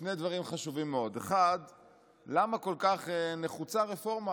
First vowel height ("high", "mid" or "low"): mid